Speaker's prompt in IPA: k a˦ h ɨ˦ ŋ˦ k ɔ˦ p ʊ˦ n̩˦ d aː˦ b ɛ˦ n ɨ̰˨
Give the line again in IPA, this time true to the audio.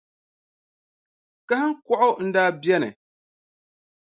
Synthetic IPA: k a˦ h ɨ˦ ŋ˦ k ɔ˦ ʔ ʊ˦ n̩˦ d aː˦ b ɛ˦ n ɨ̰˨